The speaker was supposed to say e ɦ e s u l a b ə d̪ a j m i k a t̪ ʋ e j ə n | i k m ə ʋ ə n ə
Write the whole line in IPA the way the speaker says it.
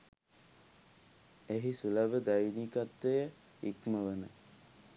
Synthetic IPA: e ɦ i s u l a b ə d̪ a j n i k a t̪ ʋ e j ə | i k m ə ʋ ə n ə